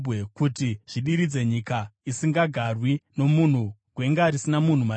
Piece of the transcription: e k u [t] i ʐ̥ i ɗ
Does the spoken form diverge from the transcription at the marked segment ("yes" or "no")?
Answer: no